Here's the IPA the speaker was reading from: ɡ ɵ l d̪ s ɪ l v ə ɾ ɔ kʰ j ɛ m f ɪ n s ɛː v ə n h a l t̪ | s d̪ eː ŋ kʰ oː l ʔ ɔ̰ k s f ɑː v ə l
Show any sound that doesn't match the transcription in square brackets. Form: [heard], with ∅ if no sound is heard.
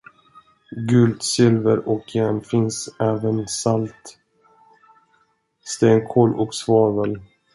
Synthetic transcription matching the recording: ɡ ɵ l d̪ s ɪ l v ə ɾ ɔ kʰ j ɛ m f ɪ n s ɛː v ə n [s] a l t̪ | s [t̪] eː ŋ kʰ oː l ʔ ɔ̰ k s [v] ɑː v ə l